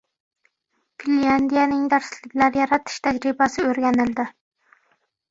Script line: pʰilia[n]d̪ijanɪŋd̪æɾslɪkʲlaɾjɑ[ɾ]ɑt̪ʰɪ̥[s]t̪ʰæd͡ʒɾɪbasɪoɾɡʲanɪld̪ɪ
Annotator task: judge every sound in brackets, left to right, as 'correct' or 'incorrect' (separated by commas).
correct, correct, incorrect